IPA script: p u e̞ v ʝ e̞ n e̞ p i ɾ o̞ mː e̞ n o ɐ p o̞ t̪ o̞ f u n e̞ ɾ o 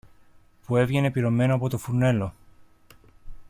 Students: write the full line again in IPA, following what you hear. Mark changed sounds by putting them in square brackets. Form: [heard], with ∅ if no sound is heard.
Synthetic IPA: p u e̞ v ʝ e̞ n e̞ p i ɾ o̞ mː e̞ n o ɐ p o̞ t̪ o̞ f u n e̞ [l] o